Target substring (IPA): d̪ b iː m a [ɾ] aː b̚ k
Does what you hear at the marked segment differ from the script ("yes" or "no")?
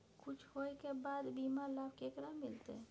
yes